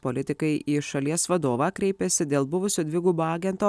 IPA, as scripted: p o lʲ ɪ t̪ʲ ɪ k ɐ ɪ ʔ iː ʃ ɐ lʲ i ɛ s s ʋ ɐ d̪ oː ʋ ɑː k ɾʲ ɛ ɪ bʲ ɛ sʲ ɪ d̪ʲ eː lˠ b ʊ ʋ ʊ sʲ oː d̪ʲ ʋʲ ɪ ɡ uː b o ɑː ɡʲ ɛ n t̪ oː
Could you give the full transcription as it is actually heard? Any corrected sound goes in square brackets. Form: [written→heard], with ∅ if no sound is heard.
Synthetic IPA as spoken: p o lʲ ɪ t̪ʲ ɪ k ɐ ɪ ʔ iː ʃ ɐ lʲ i ɛ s s ʋ ɐ d̪ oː ʋ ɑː k ɾʲ ɛ ɪ [bʲ→pʲ] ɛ sʲ ɪ d̪ʲ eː lˠ b ʊ ʋ ʊ sʲ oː d̪ʲ ʋʲ ɪ ɡ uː b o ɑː ɡʲ ɛ n t̪ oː